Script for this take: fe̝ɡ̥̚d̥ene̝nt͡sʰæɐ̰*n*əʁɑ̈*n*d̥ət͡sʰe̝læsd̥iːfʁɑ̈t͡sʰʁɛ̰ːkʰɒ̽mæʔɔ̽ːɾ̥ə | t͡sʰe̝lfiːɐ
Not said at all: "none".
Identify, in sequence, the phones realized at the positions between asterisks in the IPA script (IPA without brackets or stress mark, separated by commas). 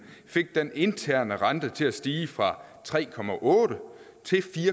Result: n, n